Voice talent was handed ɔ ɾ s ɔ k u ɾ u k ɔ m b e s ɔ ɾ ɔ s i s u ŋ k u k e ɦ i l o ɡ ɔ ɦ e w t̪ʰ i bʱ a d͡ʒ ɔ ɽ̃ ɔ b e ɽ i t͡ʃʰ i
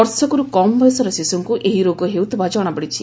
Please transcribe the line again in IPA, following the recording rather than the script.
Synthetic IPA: ɔ ɾ s ɔ k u ɾ u k ɔ m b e s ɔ ɾ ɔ s i s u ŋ k u ʔ e ɦ i ɾ o ɡ ɔ ɦ e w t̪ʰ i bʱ a d͡ʒ ɔ ɽ̃ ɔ b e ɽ i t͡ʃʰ i